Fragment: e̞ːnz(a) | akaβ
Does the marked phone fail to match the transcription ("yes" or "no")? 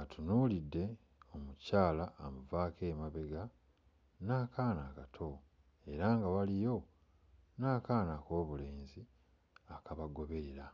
yes